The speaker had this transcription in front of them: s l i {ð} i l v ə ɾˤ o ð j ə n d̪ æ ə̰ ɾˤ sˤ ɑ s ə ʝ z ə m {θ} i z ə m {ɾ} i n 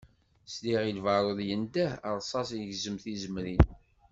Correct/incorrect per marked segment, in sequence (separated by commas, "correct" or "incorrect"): incorrect, correct, correct